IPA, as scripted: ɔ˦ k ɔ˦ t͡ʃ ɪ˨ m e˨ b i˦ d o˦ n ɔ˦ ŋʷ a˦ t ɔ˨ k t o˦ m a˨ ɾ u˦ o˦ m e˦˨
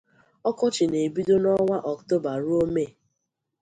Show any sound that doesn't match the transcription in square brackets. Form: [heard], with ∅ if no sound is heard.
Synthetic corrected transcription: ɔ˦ k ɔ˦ t͡ʃ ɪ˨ [n] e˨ b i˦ d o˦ n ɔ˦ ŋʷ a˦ [ʔ] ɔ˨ k t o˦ [b] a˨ ɾ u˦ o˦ m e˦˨